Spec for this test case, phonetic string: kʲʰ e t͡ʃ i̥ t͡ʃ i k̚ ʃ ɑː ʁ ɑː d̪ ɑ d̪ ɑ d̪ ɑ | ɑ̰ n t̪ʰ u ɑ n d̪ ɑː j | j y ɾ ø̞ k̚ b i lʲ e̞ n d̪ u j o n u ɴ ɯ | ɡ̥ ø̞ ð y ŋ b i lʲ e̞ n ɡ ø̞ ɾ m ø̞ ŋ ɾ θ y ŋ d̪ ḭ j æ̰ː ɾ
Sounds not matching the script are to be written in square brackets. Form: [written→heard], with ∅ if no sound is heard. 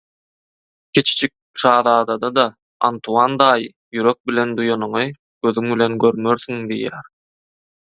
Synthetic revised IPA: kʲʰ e t͡ʃ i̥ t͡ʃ i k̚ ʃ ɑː [ʁ→ð] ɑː d̪ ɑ d̪ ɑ d̪ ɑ | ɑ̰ n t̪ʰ u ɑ n d̪ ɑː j | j y ɾ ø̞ k̚ b i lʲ e̞ n d̪ u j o n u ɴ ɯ | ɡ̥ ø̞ ð y ŋ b i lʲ e̞ n ɡ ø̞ ɾ m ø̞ [ŋ→∅] ɾ θ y ŋ d̪ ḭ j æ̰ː ɾ